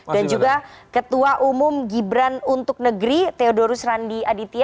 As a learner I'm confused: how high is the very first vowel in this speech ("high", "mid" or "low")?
low